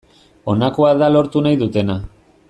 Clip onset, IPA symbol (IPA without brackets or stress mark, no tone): o̞